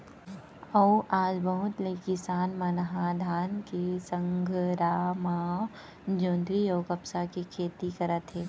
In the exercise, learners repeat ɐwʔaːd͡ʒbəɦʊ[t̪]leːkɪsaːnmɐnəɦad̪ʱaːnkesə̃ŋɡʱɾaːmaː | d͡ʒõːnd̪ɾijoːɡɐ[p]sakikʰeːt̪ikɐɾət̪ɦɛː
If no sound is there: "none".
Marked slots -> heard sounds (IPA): t̪, p

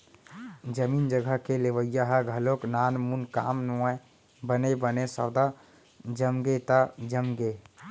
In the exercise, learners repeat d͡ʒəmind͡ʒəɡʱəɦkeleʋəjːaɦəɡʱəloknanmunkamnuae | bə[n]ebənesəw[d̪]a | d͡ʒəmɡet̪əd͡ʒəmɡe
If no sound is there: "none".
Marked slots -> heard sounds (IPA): n, d̪

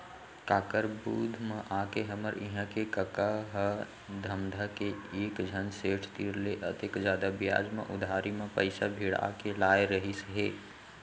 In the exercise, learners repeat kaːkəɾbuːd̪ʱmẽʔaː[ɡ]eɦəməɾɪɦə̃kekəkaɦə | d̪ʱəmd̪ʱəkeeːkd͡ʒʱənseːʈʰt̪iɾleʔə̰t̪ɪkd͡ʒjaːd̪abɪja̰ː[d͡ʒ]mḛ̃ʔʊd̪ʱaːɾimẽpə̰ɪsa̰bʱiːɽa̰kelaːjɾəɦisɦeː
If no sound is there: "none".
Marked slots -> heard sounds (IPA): k, d͡ʒ

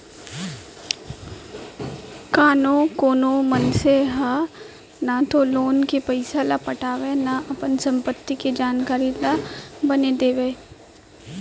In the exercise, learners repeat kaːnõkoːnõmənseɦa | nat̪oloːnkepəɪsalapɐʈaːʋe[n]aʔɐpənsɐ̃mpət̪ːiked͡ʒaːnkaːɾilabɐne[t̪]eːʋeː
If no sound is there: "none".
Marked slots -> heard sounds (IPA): n, d̪

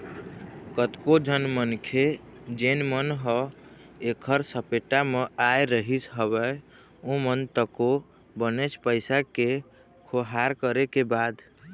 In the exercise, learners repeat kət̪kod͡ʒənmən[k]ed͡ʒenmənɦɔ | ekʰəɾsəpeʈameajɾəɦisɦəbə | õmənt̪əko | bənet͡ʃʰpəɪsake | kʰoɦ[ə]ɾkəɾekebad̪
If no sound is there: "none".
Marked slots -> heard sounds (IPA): kʰ, a

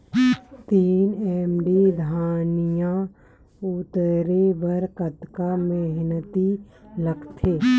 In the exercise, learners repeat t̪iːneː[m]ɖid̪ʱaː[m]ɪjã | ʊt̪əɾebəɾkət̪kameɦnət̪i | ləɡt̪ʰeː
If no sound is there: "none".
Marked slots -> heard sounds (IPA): m, n

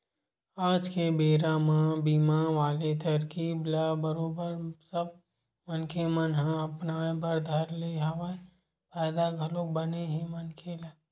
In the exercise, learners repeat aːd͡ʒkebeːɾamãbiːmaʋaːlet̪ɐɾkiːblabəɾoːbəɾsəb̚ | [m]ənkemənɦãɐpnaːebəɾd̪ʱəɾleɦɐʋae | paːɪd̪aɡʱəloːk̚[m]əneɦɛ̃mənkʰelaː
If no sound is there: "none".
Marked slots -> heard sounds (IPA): m, b

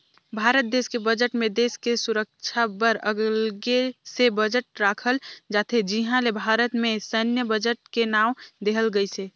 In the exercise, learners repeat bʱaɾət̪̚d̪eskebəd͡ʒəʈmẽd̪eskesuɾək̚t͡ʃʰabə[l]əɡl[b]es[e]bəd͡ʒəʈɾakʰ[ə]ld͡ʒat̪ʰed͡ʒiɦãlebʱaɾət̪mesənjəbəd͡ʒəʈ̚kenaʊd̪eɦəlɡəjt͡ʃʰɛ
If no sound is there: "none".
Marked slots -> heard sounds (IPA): ɾ, ɡ, e, ə

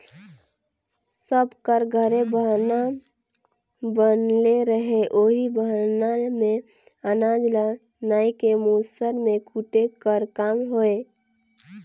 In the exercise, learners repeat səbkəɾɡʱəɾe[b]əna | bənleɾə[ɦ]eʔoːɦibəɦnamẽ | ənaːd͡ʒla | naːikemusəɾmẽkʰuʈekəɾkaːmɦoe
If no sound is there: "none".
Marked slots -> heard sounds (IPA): b, ɦ

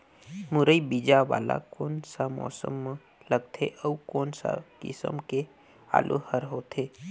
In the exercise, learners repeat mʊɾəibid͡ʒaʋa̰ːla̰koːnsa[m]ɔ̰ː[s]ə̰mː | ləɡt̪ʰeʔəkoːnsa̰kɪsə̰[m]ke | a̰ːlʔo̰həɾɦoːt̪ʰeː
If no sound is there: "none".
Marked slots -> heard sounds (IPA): m, s, m

